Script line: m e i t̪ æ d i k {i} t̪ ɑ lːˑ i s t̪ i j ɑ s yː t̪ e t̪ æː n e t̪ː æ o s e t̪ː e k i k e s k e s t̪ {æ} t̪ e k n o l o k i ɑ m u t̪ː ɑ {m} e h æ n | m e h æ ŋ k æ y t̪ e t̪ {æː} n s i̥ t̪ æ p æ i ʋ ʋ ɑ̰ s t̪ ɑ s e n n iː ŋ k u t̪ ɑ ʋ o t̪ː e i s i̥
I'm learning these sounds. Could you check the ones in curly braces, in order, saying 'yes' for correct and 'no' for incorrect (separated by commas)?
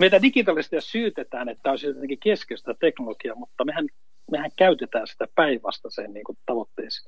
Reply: yes, yes, yes, yes